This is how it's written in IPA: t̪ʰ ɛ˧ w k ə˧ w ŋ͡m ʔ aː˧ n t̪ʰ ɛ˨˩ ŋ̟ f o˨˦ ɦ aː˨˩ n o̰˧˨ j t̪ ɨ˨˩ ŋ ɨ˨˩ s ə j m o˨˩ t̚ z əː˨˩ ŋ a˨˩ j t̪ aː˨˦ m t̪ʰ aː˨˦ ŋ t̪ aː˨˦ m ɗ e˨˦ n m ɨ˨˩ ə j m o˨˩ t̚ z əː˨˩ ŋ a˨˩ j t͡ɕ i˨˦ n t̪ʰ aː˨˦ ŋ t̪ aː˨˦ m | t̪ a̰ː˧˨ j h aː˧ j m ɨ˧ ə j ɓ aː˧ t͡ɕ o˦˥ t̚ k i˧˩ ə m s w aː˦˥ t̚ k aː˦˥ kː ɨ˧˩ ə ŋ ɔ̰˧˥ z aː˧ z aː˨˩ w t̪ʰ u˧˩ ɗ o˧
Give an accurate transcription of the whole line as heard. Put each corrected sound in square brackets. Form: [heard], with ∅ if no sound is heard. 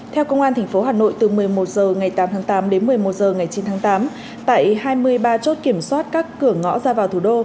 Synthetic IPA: t̪ʰ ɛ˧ w k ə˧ w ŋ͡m ʔ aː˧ n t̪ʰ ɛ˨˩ ŋ̟ f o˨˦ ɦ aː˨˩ n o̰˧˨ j t̪ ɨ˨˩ [m] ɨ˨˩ [∅] ə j m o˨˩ t̚ z əː˨˩ ŋ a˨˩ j t̪ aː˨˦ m t̪ʰ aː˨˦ ŋ t̪ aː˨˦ m ɗ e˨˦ n m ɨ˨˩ ə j m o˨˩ t̚ z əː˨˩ ŋ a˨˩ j t͡ɕ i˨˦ n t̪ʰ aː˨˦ ŋ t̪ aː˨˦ m | t̪ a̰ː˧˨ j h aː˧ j m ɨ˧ ə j ɓ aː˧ t͡ɕ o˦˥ t̚ k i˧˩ ə m s w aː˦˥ t̚ k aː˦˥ kː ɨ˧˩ ə ŋ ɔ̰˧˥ z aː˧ [v] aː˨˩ w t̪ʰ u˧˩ ɗ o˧